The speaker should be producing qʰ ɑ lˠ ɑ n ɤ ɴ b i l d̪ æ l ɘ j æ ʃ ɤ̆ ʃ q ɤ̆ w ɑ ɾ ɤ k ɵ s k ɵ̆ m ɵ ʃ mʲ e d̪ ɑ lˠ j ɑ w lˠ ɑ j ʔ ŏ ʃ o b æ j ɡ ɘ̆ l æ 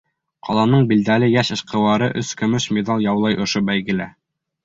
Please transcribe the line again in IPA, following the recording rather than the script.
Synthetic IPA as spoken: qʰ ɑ lˠ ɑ n ɤ ɴ b i l d̪ æ l ɘ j æ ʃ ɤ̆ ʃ q ɤ̆ w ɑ ɾ ɤ ʔ ɵ s k ɵ̆ m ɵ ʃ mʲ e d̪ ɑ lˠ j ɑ w lˠ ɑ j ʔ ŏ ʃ o b æ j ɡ ɘ̆ l æ